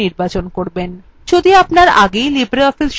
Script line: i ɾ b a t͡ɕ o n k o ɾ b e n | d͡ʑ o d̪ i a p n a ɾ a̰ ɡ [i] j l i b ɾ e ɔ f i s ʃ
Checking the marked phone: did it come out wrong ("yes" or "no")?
yes